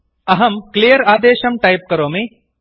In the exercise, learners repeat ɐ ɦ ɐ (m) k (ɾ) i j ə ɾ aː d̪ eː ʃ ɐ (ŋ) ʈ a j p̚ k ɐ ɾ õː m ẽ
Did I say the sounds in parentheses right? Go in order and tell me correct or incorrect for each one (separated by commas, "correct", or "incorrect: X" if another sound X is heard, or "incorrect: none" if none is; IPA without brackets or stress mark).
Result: correct, incorrect: l, incorrect: m